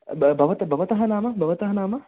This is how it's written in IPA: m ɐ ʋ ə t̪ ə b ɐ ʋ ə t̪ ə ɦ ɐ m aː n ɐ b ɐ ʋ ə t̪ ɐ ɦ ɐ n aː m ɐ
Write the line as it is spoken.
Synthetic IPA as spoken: b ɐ ʋ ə t̪ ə b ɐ ʋ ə t̪ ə ɦ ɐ n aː m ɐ b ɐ ʋ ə t̪ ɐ ɦ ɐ n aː m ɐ